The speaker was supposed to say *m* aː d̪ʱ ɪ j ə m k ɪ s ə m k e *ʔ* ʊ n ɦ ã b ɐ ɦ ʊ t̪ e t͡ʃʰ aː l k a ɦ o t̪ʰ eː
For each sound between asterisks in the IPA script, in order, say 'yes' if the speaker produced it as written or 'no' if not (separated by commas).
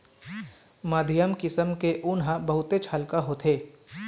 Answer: yes, yes